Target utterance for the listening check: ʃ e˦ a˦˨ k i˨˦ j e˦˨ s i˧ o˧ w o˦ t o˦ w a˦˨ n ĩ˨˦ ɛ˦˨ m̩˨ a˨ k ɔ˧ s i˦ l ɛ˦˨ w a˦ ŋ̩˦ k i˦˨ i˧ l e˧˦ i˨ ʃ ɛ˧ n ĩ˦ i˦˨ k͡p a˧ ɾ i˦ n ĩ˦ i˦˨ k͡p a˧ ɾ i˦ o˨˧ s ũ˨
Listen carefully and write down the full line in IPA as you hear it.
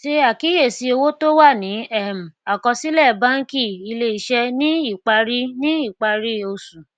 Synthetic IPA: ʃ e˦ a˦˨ k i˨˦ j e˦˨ s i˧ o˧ w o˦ t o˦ w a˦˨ n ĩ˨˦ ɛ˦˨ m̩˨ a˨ k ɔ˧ s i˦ l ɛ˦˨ b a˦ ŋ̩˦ k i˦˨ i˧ l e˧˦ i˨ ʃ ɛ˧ n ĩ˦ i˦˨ k͡p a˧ ɾ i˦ n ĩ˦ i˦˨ k͡p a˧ ɾ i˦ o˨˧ s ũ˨